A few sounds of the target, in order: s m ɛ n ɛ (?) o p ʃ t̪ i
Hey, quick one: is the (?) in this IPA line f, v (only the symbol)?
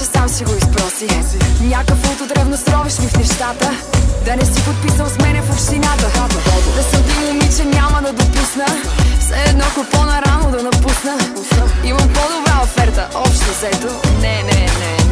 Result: f